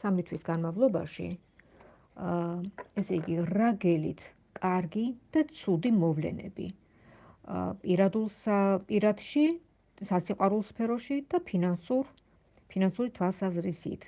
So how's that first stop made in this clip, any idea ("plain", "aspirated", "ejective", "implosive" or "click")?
aspirated